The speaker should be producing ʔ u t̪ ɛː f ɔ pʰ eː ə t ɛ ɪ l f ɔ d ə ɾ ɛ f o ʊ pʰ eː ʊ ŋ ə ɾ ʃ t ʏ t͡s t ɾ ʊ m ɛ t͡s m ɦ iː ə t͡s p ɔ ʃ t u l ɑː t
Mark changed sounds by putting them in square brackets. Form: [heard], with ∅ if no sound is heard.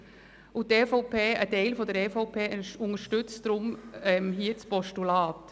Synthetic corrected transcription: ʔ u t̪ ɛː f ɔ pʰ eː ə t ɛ ɪ l f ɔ d ə ɾ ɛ f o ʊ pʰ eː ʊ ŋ ə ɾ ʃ t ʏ t͡s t ɾ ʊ m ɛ [∅] m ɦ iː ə t͡s p ɔ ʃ t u l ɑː t